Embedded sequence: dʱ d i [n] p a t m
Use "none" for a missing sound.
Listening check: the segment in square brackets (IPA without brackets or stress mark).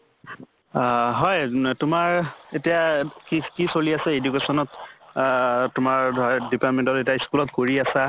none